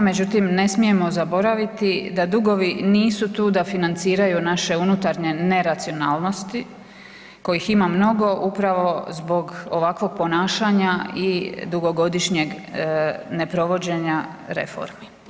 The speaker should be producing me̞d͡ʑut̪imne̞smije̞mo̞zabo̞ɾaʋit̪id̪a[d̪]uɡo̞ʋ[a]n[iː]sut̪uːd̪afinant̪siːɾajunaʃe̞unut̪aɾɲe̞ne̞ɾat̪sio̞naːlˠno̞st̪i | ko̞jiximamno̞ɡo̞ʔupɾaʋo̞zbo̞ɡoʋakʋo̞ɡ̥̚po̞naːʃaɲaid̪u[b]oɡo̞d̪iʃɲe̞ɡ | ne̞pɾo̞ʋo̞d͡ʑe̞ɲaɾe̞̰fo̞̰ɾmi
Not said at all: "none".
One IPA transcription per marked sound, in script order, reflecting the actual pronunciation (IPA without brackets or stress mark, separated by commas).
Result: d̪, i, iː, ɡ